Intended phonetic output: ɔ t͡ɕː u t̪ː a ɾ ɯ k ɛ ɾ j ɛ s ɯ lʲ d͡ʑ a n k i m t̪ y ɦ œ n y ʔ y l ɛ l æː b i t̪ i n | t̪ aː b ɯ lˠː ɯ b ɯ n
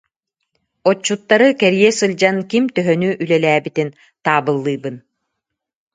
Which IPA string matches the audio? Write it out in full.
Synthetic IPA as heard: ɔ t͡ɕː u t̪ː a ɾ ɯ k ɛ ɾ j ɛ s ɯ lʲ d͡ʑ a n k i m t̪ œ ɦ œ n y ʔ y l ɛ l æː b i t̪ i n | t̪ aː b ɯ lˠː ɯː b ɯ n